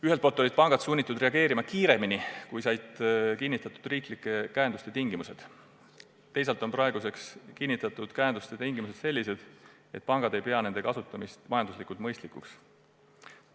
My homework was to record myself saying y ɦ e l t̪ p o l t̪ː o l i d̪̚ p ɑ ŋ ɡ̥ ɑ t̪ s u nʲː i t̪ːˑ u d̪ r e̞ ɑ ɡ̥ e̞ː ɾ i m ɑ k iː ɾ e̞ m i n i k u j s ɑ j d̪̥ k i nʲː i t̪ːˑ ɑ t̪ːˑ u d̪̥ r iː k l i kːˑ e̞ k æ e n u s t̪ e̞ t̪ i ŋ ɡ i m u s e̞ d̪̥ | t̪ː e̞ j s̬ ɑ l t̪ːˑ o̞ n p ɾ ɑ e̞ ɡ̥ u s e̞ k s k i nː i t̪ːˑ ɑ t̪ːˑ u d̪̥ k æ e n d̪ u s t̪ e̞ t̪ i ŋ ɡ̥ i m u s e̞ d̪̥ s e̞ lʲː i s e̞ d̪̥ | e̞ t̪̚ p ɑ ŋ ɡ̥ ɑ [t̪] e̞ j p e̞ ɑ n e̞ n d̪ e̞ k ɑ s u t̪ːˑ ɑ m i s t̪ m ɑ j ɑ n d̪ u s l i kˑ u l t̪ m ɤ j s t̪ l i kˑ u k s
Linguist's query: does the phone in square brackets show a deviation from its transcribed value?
yes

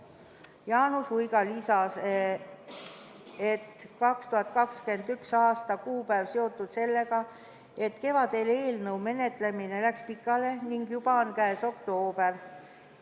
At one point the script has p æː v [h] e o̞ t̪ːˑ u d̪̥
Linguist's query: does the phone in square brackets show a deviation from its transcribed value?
yes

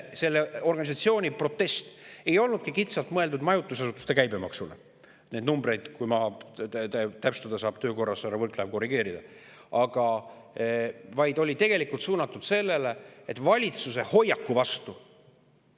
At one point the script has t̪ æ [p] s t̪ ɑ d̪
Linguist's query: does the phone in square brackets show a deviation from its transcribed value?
no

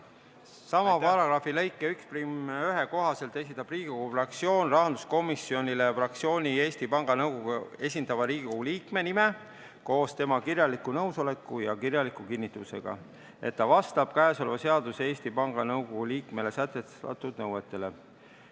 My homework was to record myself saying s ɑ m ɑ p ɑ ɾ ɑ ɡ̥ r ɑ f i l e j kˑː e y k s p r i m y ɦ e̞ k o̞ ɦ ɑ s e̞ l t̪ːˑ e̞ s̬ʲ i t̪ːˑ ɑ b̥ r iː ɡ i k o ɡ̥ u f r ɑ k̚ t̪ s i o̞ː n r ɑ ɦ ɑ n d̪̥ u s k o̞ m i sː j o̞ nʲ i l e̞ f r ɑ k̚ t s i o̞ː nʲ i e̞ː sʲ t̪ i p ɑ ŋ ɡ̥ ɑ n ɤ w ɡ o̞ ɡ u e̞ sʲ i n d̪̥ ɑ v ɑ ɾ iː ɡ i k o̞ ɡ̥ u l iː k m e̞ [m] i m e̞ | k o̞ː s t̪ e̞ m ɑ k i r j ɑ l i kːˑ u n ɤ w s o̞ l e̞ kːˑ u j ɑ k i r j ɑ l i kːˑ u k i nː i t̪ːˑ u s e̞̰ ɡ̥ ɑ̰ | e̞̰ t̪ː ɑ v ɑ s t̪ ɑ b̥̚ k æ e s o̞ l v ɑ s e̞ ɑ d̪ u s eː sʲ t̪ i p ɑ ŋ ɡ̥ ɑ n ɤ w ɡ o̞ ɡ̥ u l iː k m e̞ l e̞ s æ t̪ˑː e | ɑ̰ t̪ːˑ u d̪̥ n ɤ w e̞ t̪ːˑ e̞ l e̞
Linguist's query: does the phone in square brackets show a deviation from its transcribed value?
yes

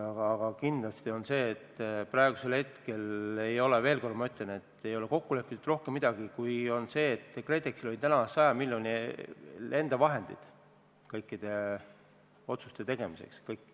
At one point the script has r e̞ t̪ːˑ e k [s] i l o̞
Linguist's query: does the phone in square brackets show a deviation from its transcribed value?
no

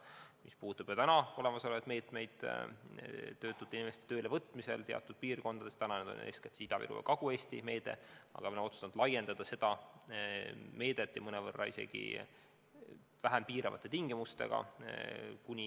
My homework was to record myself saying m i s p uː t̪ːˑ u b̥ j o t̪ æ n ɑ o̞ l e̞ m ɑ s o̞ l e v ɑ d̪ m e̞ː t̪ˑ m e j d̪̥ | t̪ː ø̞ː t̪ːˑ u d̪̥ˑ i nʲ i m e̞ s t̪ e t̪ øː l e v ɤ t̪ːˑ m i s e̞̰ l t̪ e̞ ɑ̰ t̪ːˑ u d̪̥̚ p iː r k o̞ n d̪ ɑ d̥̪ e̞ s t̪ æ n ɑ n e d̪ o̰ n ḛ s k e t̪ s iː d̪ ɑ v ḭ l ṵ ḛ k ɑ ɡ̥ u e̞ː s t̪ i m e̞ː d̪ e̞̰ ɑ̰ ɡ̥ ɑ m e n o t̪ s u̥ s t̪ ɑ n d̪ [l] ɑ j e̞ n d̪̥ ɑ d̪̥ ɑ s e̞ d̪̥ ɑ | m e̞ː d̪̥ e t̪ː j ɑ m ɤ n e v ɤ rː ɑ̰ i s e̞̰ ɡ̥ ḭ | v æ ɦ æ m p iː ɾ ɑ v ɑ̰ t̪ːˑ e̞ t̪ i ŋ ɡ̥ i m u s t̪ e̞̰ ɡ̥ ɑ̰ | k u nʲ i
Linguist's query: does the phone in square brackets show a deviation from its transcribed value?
no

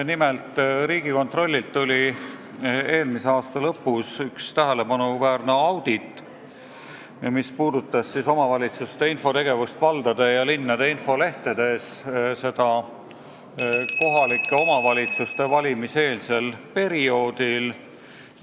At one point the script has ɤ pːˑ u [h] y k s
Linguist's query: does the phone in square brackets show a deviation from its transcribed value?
yes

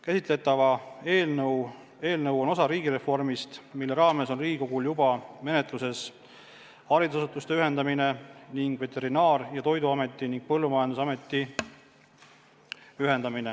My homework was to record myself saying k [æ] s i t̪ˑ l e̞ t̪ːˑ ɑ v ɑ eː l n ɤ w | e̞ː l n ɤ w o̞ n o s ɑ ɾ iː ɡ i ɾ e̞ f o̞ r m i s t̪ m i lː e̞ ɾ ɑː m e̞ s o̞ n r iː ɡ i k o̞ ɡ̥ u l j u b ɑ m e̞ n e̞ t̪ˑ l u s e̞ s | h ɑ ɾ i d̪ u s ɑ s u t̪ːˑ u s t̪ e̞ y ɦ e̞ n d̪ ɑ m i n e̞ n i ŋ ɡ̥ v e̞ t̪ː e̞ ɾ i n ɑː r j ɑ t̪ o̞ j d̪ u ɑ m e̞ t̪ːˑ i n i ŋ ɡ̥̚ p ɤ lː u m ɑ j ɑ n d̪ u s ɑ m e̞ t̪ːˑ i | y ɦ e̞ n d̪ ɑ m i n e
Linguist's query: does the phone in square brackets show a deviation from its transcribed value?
no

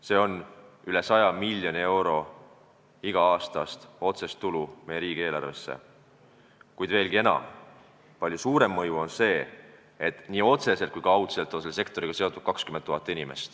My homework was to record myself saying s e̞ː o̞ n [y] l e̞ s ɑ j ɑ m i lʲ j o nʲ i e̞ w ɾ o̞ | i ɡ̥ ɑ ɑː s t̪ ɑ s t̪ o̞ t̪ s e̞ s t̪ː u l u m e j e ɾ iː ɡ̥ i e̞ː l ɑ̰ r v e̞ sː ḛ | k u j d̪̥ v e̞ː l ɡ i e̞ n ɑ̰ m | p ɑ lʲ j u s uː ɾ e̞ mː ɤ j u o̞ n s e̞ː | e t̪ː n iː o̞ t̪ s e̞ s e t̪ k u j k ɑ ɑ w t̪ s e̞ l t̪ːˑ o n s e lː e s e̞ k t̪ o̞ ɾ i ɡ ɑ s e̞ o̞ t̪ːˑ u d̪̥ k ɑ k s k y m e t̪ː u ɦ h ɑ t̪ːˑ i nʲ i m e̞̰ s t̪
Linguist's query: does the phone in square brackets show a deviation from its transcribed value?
no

